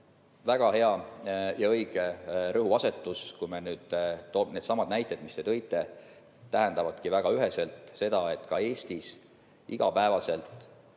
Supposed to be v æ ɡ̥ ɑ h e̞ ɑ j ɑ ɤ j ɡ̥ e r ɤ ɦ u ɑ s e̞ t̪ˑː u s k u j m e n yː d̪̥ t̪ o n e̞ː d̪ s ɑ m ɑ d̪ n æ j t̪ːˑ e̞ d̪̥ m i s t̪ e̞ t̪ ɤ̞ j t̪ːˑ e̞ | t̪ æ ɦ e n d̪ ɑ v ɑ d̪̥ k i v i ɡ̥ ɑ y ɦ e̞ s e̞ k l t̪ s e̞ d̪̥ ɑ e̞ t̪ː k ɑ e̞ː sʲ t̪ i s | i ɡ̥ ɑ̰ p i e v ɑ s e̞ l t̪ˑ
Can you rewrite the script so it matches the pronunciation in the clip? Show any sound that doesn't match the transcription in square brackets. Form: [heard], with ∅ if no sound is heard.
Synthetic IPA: v æ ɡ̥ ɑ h e̞ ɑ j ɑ ɤ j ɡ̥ e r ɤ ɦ u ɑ s e̞ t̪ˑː u s k u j m e n yː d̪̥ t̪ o n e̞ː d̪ s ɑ m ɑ d̪ n æ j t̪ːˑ e̞ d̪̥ m i s t̪ e̞ t̪ ɤ̞ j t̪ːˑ e̞ | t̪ æ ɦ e n d̪ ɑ v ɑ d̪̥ k i v [æ] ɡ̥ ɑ y ɦ e̞ s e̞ [∅] l t̪ s e̞ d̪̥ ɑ e̞ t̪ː k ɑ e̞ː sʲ t̪ i s | i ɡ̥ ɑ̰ p [æ] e v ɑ s e̞ l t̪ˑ